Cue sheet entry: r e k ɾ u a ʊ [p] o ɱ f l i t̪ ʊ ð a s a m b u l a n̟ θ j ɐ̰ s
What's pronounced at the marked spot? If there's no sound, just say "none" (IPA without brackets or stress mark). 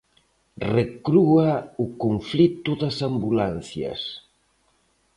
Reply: k